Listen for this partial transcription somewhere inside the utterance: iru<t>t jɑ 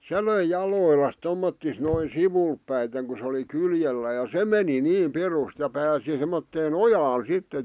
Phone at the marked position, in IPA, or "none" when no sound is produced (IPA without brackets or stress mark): s